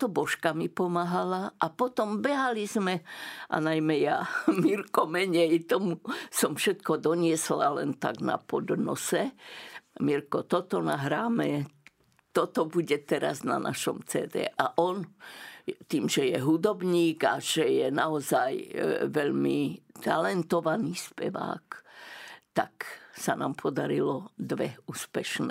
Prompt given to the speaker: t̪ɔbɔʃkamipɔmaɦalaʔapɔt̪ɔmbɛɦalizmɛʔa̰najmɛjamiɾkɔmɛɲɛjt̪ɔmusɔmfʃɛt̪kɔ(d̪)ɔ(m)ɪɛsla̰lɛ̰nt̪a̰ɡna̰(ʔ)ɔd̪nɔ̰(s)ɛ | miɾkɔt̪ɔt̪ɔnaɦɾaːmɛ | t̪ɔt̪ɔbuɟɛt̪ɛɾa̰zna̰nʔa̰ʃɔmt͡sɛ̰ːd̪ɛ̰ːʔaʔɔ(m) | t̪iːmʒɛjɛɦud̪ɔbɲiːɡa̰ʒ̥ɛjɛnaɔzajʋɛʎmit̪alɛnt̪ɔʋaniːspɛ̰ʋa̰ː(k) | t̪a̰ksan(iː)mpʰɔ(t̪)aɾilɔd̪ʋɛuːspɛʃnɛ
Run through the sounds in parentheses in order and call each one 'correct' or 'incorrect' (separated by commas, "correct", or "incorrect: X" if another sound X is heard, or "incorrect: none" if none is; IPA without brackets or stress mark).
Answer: correct, incorrect: ɲ, incorrect: p, correct, incorrect: n, correct, incorrect: aː, incorrect: d̪